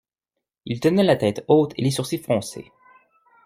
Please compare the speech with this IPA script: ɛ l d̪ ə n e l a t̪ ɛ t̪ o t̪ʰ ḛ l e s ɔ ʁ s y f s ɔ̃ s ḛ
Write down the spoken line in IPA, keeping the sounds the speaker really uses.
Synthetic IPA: i l t̪ ə n ɛ l a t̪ ɛ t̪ o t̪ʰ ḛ l e s u ʁ s i f χ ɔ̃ s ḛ